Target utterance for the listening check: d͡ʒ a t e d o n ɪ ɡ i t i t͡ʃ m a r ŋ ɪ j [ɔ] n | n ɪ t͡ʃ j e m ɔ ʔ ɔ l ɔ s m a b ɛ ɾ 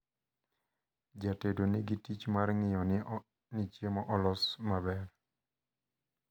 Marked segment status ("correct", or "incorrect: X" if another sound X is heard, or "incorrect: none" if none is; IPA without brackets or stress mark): correct